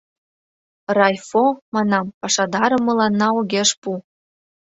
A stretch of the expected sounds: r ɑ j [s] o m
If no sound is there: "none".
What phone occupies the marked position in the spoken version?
f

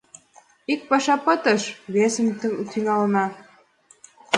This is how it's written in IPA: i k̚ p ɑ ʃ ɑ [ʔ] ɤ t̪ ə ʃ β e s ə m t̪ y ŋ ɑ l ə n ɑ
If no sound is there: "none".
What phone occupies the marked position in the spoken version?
p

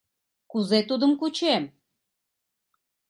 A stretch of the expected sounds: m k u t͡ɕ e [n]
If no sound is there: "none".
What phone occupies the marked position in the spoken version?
m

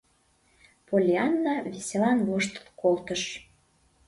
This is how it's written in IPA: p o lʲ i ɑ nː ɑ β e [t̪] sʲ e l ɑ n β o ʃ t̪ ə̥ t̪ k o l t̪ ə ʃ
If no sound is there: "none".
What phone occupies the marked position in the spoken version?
none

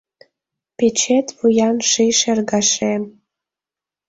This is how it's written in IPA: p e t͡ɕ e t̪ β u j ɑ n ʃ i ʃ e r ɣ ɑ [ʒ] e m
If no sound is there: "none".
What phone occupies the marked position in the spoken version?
ʃ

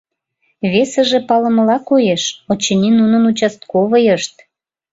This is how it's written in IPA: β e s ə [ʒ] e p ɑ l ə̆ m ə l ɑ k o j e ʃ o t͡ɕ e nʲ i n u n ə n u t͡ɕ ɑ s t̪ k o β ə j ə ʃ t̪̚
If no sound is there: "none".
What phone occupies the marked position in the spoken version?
ʒ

